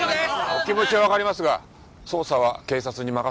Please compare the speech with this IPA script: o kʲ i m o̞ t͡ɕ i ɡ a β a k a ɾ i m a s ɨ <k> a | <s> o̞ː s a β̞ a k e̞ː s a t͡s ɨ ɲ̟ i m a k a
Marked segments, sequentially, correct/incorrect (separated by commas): incorrect, correct